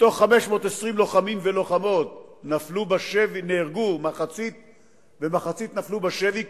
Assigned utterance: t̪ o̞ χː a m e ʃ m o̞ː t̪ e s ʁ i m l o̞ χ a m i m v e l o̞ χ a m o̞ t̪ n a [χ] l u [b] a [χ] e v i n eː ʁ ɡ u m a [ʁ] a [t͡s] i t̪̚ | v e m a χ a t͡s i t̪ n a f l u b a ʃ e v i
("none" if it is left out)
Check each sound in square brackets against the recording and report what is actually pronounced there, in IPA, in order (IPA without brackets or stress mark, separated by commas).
f, b, ʃ, χ, t͡s